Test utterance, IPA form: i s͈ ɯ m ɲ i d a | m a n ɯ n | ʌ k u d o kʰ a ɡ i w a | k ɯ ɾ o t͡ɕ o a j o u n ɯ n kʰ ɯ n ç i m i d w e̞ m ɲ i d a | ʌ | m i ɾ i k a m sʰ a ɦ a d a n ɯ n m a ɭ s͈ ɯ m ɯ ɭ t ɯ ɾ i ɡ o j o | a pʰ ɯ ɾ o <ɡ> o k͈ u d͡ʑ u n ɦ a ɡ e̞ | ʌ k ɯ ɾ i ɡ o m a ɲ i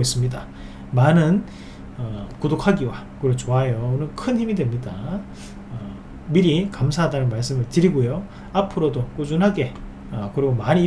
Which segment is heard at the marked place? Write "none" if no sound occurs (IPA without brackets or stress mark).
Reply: d